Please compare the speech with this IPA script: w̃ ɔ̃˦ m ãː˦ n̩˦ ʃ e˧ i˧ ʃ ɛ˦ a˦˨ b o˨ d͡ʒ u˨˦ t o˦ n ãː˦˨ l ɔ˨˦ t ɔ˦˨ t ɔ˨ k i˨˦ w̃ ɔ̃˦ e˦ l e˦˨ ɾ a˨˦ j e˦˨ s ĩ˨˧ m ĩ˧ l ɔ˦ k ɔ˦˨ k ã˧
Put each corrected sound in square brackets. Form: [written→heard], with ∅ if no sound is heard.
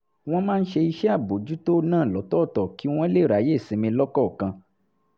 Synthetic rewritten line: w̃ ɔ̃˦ m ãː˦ n̩˦ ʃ e˧ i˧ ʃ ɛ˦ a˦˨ b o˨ d͡ʒ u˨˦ t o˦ n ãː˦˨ l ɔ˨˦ t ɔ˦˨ t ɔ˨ k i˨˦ w̃ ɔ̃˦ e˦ l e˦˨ ɾ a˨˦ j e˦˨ s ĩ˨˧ m ĩ˧ l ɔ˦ k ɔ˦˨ k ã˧